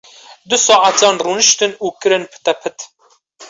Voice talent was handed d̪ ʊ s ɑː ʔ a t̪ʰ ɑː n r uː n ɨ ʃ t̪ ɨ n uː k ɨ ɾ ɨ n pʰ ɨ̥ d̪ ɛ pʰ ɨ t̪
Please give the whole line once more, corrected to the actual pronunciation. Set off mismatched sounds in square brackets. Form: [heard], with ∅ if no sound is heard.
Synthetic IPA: d̪ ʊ s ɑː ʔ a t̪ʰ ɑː n r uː n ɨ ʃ t̪ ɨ n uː k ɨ ɾ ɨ n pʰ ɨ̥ [t̪] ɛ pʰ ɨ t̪